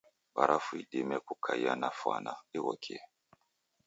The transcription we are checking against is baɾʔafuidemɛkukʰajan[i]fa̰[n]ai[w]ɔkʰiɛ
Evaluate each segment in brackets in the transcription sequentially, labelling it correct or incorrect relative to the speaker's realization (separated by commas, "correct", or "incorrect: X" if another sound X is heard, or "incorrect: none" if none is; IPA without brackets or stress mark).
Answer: incorrect: a, correct, correct